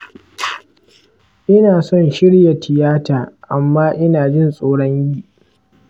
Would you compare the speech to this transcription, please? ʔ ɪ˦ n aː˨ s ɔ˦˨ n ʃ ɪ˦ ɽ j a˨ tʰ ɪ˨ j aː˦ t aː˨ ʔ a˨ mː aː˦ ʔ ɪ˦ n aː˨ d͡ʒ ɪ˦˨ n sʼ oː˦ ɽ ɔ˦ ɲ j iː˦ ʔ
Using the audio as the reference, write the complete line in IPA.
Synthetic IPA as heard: ʔ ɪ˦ n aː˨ s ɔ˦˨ n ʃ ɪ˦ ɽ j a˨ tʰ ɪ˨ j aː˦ t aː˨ ʔ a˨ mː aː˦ ʔ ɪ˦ n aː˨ d͡ʒ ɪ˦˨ n sʼ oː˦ ɽ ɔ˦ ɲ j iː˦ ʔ